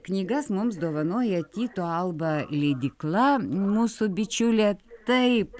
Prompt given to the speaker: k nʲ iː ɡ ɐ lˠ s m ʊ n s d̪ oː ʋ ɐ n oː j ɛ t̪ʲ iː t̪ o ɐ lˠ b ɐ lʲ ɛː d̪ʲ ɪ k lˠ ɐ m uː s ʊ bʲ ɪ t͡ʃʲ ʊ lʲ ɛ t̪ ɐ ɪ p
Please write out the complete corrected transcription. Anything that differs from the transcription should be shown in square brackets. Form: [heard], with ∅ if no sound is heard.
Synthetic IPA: k nʲ iː ɡ ɐ [∅] s m ʊ [m] s d̪ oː ʋ ɐ n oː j ɛ t̪ʲ iː t̪ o ɐ lˠ b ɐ lʲ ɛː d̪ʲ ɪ k lˠ ɐ m uː s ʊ bʲ ɪ t͡ʃʲ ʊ lʲ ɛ t̪ ɐ ɪ p

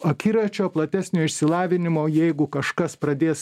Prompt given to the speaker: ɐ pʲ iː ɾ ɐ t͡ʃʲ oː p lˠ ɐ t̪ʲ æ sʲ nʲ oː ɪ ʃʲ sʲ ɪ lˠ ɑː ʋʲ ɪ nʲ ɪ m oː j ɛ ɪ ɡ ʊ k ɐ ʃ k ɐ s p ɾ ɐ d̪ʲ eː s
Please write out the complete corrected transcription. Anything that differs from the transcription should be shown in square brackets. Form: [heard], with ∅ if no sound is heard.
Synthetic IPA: ɐ [kʲ] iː ɾ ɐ t͡ʃʲ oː p lˠ ɐ t̪ʲ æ sʲ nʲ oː ɪ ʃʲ sʲ ɪ lˠ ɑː ʋʲ ɪ nʲ ɪ m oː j ɛ ɪ ɡ ʊ k ɐ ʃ k ɐ s p ɾ ɐ d̪ʲ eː s

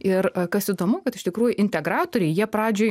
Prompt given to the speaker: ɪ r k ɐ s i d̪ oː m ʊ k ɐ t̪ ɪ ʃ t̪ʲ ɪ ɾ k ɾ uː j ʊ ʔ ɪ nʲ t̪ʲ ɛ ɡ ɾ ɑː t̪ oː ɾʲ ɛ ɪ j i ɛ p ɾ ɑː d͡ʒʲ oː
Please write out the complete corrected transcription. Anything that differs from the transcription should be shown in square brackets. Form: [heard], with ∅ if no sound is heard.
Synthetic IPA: ɪ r k ɐ s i d̪ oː m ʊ k ɐ t̪ ɪ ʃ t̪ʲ ɪ [∅] k ɾ uː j ʊ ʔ ɪ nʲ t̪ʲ ɛ ɡ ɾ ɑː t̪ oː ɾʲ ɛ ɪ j i ɛ p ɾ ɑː d͡ʒʲ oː

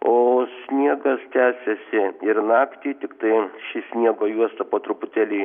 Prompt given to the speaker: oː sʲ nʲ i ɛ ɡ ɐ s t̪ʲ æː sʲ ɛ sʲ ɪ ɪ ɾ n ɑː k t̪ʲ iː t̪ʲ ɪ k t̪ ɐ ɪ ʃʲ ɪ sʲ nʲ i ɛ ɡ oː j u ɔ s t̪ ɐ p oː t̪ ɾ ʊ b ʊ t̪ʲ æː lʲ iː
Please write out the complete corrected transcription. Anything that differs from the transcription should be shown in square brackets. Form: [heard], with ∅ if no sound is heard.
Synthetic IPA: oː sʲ nʲ i ɛ ɡ ɐ s t̪ʲ æː sʲ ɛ sʲ ɪ ɪ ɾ n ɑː k t̪ʲ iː t̪ʲ ɪ k t̪ ɐ ɪ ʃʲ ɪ sʲ nʲ i ɛ ɡ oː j u ɔ s t̪ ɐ p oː t̪ ɾ ʊ [p] ʊ t̪ʲ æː lʲ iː

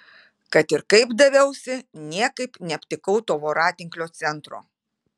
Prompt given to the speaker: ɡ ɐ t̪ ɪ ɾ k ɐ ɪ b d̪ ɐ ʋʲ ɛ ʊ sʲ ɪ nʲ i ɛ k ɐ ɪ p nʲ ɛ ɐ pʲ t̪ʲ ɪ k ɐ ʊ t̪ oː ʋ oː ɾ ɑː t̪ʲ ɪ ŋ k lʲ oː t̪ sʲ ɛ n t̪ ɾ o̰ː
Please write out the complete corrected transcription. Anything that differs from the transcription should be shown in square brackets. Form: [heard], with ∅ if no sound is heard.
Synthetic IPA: [k] ɐ t̪ ɪ ɾ k ɐ ɪ b d̪ ɐ ʋʲ ɛ ʊ sʲ ɪ nʲ i ɛ k ɐ ɪ p nʲ ɛ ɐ pʲ t̪ʲ ɪ k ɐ ʊ t̪ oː ʋ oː ɾ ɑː t̪ʲ ɪ ŋ k lʲ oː t̪ sʲ ɛ n t̪ ɾ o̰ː

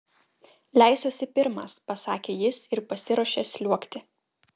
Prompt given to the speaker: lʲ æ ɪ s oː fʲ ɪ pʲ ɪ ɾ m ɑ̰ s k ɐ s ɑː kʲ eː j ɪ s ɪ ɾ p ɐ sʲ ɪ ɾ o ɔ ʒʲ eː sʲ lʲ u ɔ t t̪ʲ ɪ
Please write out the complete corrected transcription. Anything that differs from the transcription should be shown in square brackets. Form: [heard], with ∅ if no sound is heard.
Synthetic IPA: lʲ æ ɪ s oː [sʲ] ɪ pʲ ɪ ɾ m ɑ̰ s [p] ɐ s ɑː kʲ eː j ɪ s ɪ ɾ p ɐ sʲ ɪ ɾ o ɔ [ʃʲ] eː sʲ lʲ u ɔ [k] t̪ʲ ɪ

